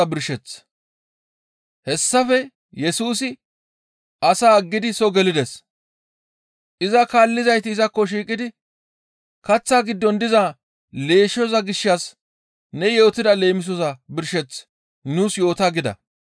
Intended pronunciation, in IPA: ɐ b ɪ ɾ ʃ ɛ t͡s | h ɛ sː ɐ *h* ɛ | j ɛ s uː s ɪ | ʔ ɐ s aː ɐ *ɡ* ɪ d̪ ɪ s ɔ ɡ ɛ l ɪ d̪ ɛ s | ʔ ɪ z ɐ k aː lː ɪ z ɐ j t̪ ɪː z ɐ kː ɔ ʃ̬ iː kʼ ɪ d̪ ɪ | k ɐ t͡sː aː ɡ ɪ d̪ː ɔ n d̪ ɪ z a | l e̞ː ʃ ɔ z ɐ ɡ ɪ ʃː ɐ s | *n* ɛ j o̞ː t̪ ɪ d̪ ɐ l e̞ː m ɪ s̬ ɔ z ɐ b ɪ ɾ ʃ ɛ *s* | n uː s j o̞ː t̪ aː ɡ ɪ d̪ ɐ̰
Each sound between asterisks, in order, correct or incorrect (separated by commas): incorrect, incorrect, correct, incorrect